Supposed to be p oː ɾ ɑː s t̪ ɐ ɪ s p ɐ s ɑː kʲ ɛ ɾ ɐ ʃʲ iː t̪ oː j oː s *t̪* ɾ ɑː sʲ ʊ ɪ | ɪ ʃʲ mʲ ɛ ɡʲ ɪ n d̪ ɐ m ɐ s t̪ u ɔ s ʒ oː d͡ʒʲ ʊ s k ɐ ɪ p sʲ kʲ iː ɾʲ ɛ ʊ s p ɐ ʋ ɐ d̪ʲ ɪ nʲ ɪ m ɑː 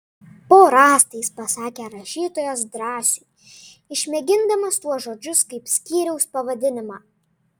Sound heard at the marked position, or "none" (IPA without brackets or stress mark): d̪